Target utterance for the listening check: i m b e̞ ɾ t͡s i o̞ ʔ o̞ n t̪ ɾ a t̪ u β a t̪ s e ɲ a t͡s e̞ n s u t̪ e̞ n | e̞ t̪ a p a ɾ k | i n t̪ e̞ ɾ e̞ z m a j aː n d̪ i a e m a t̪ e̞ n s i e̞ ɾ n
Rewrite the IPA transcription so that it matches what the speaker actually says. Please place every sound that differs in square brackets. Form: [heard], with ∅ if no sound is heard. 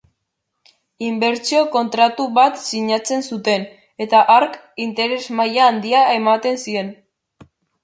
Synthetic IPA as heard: i m b e̞ ɾ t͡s i o̞ [k] o̞ n t̪ ɾ a t̪ u β a t̪ s [i] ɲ a t͡s e̞ n s u t̪ e̞ n | e̞ t̪ a [ʔ] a ɾ k | i n t̪ e̞ ɾ e̞ z m a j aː n d̪ i a e m a t̪ e̞ n s i e̞ [∅] n